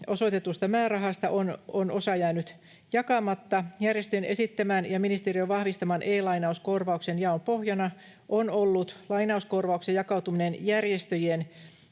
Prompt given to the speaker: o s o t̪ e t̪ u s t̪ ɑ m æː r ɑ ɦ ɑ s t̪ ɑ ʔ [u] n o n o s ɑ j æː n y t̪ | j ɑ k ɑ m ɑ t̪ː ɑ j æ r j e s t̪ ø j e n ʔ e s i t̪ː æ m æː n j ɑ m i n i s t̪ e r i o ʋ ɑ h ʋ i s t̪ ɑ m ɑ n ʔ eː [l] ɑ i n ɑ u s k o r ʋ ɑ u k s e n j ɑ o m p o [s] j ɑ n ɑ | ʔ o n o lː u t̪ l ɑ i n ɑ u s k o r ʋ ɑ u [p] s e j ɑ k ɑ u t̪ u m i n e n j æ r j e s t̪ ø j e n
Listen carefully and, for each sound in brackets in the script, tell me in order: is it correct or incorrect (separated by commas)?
incorrect, correct, incorrect, incorrect